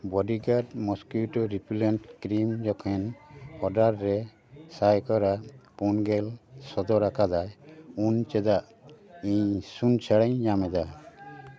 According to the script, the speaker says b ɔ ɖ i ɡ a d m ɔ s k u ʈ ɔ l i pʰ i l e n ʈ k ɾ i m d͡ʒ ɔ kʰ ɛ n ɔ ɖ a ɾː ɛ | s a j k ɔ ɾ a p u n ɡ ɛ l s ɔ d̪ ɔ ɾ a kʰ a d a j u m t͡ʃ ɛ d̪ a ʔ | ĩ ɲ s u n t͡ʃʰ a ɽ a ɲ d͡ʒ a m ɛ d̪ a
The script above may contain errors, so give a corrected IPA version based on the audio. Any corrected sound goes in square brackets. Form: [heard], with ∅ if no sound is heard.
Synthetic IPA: b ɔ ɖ i ɡ a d m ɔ s k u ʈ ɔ [ɾ] i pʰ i l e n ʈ k ɾ i m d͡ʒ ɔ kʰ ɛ n ɔ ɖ a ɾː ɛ | s a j k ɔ ɾ a p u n ɡ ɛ l s ɔ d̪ ɔ ɾ a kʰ a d a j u [n] t͡ʃ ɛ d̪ a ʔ | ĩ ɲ s u n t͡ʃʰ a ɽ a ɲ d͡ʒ a m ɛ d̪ a